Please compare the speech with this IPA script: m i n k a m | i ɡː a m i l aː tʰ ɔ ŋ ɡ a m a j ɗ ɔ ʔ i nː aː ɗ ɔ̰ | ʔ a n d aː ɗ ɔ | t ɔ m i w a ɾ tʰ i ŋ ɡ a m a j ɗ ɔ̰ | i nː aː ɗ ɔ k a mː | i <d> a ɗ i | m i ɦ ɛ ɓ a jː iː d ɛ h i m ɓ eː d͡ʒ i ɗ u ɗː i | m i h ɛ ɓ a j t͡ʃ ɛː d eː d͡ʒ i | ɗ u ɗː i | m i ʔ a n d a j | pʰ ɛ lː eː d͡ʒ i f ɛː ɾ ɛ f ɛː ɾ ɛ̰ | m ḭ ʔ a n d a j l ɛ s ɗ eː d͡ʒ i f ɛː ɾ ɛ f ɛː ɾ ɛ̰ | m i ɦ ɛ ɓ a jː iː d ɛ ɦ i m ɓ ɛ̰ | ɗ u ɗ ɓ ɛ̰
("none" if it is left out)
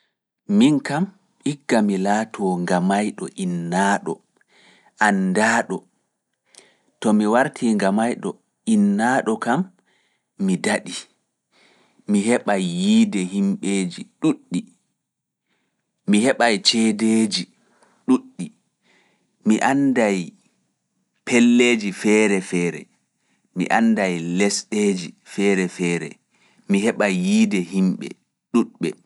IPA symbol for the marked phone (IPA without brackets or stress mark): d